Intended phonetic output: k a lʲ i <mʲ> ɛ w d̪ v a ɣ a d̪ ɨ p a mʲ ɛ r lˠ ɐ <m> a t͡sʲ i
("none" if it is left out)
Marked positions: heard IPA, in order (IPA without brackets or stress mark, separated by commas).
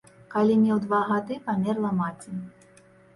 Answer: mʲ, m